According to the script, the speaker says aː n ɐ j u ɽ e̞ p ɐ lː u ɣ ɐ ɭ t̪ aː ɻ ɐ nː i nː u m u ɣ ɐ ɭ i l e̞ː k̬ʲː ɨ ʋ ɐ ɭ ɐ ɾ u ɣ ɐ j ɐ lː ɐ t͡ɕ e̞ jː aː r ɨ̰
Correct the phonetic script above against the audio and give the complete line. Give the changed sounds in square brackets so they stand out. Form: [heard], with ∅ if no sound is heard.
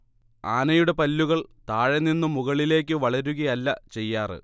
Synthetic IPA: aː n ɐ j u ɽ e̞ p ɐ lː u ɣ ɐ ɭ t̪ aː ɻ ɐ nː i nː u m u ɣ ɐ ɭ i l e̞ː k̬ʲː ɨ ʋ ɐ ɭ ɐ ɾ u ɣ ɐ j ɐ lː ɐ t͡ɕ e̞ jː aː r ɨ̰